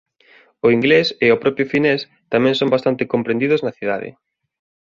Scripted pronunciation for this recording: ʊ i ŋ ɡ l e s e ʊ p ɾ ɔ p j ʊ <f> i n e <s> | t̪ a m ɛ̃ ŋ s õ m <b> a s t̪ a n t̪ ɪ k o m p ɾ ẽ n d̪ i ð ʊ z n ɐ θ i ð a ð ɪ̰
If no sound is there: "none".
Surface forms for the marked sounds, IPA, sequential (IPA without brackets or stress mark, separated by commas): f, s, b